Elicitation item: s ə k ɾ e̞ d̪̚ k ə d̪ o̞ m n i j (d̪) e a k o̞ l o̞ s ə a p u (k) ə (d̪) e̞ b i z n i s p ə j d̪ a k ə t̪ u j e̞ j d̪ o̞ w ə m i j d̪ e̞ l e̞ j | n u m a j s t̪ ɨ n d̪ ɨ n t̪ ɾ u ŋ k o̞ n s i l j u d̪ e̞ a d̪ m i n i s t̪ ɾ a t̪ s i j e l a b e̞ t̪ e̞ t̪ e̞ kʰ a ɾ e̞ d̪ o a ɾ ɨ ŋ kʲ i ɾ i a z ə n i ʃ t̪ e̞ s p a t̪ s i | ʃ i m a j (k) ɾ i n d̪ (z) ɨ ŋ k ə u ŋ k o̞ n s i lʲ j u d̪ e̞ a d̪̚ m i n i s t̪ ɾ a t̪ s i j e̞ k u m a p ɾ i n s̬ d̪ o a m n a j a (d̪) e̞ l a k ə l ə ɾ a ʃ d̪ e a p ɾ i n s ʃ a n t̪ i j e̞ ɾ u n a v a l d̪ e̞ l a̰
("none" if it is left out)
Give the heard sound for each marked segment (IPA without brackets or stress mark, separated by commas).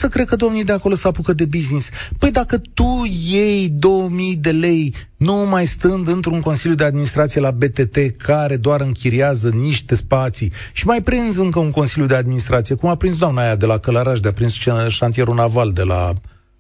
d̪, k, d̪, p, z, d̪